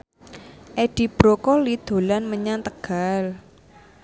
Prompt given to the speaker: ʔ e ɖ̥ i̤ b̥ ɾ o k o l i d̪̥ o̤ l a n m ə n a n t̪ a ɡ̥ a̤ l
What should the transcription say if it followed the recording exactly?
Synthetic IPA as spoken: ʔ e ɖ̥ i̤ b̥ ɾ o k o l i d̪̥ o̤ l a n m ə ɲ a n t̪ ə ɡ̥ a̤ l